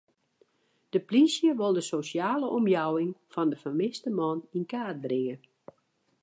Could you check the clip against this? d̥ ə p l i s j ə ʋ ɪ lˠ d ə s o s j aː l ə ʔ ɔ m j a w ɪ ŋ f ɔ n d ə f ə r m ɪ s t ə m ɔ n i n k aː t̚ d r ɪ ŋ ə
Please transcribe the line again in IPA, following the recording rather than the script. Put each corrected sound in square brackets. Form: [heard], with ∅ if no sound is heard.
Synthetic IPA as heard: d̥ ə p l i s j ə ʋ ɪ lˠ d ə s o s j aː l ə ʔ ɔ m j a w ɪ ŋ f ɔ n d ə f ə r m ɪ s t ə m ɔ n i n k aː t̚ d r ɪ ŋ ə